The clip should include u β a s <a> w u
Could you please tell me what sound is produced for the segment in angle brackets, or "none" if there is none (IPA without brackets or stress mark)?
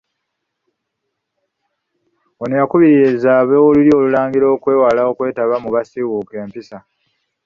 i